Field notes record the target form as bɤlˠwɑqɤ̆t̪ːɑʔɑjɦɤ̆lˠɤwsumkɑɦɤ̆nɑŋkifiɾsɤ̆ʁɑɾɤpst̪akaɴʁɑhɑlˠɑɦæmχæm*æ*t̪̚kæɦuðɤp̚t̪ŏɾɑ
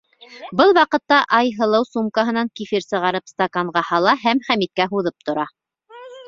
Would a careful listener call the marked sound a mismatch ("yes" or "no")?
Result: yes